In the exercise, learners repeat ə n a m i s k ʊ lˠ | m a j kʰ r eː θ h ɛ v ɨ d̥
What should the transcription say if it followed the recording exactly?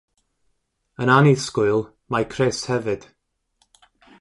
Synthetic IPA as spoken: ə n a n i s k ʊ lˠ | m a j kʰ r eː s h ɛ v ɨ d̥